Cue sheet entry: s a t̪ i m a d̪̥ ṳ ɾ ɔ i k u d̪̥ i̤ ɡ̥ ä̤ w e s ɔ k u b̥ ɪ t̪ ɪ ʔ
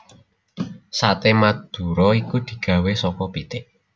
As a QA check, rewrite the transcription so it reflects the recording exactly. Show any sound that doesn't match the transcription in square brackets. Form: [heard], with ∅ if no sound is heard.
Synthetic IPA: s a t̪ [e] m a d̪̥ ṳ ɾ ɔ i k u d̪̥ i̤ ɡ̥ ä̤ w e s ɔ k [ɔ] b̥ [i] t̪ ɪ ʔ